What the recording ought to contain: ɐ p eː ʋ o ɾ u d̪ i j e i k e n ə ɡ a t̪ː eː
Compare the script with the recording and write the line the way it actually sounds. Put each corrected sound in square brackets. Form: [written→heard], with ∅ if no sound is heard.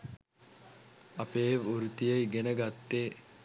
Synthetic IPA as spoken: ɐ p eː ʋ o ɾ u [d̪→t̪] i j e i [k→ɡ] e n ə ɡ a t̪ː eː